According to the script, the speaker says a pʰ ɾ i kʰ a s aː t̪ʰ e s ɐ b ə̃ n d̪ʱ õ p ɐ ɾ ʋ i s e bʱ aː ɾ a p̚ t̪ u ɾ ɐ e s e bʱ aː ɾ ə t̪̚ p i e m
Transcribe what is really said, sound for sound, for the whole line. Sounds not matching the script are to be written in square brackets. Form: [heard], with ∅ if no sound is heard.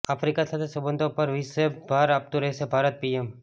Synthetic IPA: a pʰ ɾ i [k] a s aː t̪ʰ e s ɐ b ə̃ n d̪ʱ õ p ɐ ɾ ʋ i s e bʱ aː ɾ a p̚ t̪ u ɾ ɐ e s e bʱ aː ɾ ə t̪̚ p i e m